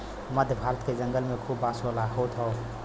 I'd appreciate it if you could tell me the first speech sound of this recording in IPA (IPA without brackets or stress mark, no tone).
m